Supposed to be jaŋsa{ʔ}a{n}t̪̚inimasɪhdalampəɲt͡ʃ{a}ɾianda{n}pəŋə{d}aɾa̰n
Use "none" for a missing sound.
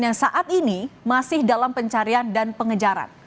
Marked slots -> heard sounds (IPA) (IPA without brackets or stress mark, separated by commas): ʔ, none, a, n, d͡ʒ